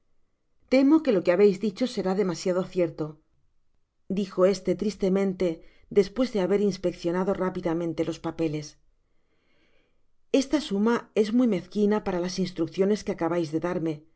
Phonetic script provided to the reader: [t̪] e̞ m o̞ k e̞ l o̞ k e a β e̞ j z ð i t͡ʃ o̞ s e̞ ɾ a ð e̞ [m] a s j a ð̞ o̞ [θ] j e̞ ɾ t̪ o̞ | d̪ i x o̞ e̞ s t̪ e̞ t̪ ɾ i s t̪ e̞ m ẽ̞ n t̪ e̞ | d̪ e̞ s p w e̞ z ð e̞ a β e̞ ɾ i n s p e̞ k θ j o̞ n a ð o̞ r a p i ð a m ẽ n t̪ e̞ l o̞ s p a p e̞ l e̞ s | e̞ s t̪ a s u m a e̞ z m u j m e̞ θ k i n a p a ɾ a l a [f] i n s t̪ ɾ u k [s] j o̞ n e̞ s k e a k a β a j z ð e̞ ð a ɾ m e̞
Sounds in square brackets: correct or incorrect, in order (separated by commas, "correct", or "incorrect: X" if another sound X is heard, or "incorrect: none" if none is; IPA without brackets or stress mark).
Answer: correct, correct, correct, incorrect: s, incorrect: θ